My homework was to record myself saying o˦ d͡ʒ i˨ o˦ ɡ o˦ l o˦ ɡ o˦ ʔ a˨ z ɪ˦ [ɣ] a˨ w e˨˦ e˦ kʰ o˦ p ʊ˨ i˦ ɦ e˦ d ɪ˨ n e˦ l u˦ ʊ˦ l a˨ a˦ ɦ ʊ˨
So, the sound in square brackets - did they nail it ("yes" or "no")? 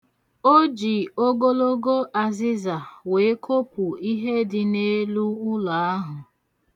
no